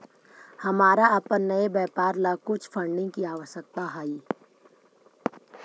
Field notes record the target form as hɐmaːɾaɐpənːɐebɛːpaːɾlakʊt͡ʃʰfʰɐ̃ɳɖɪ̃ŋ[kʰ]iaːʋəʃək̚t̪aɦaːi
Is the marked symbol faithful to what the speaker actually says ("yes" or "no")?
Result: no